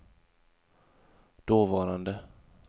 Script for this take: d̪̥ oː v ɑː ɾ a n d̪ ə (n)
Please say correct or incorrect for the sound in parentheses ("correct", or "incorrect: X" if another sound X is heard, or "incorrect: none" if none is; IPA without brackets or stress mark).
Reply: incorrect: none